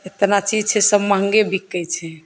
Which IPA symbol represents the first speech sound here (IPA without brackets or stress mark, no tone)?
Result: e